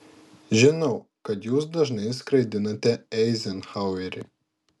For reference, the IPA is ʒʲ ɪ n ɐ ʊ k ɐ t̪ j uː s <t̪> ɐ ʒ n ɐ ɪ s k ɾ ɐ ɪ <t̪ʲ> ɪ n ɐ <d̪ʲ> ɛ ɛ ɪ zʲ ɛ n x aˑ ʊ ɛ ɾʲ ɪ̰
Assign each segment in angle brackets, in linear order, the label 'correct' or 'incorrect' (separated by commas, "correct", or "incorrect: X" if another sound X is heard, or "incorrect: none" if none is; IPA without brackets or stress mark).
incorrect: d̪, incorrect: d̪ʲ, incorrect: t̪ʲ